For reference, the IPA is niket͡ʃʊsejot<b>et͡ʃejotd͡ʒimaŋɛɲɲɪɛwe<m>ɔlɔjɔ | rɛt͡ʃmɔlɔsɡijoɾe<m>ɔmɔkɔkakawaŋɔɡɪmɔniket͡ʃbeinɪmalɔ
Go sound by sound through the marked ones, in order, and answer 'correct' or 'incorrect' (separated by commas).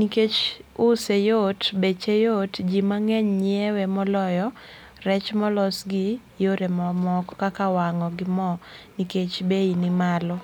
correct, correct, correct